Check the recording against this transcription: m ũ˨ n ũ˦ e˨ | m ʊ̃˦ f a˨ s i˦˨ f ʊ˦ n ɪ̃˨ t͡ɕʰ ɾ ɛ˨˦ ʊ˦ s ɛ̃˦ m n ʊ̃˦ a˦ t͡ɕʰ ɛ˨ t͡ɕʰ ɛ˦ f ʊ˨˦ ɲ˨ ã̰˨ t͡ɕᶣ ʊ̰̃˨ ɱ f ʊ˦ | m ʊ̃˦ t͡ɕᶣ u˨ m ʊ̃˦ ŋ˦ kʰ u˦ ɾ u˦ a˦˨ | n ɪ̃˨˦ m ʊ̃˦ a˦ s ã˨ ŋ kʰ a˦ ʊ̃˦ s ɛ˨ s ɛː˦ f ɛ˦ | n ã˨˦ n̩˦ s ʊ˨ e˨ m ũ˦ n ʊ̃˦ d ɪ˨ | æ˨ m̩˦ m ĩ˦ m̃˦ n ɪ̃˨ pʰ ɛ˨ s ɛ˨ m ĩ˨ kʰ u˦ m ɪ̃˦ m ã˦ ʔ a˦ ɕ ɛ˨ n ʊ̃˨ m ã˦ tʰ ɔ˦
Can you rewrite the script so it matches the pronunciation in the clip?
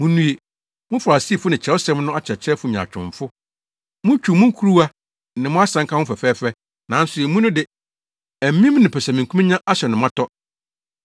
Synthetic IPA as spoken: m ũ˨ n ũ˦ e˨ | m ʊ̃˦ f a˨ s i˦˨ f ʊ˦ n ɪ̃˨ t͡ɕʰ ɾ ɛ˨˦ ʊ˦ s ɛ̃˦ m n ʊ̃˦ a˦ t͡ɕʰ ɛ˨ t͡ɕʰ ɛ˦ f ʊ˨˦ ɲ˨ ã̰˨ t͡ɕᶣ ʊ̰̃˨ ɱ f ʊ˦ | m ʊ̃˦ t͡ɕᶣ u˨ m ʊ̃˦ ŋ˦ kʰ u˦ ɾ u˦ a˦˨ | n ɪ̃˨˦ m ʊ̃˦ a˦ s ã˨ ŋ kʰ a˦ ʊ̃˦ f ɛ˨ f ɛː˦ f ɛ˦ | n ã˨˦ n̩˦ s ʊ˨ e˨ m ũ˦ n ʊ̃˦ d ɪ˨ | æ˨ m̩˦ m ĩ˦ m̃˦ n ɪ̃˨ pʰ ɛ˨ s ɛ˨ m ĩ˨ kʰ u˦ m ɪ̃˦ ɲ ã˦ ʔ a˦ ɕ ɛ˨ n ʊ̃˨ m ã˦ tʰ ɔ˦